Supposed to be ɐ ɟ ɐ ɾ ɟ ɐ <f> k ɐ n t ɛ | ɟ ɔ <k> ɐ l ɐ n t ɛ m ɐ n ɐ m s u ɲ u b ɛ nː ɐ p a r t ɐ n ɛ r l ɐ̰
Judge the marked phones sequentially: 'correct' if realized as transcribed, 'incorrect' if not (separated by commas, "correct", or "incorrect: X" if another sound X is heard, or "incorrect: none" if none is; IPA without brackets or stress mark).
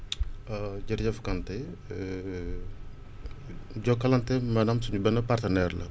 correct, correct